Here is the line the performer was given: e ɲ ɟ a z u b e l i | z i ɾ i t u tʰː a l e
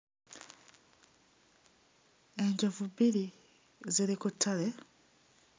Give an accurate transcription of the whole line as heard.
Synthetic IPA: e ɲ ɟ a v u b i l i | z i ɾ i k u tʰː a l e

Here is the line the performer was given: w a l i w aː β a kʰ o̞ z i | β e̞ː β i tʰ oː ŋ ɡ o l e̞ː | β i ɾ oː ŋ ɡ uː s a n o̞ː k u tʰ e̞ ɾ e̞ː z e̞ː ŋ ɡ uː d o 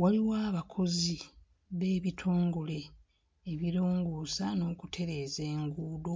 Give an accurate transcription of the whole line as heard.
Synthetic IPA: w a l i w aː β a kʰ o̞ z i | β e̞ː β i tʰ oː ŋ ɡ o l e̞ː | β i ɾ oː ŋ ɡ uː s a n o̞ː k u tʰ e̞ ɾ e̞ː z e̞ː ŋ ɡ uː d o

